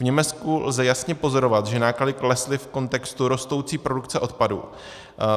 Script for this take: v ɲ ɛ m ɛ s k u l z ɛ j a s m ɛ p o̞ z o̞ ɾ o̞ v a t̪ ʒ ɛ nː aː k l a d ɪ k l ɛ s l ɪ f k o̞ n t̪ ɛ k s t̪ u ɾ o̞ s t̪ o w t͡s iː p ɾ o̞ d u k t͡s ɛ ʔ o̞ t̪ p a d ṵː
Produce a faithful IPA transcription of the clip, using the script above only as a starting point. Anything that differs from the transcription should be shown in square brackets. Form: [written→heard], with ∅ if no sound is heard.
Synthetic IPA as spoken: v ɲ ɛ m ɛ [s→t͡s] k u l z ɛ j a s [m→ɲ] ɛ p o̞ z o̞ ɾ o̞ v a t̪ ʒ ɛ [nː→n] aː k l a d ɪ k l ɛ s l ɪ f k o̞ n t̪ ɛ k s t̪ u ɾ o̞ s t̪ o w t͡s iː p ɾ o̞ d u k t͡s ɛ ʔ o̞ t̪ p a d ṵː